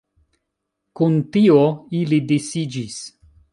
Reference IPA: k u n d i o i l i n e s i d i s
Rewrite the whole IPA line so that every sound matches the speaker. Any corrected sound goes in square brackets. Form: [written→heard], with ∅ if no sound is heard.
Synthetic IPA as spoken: k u n [d→t] i o i l i [n→d] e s i [d→d͡ʒ] i s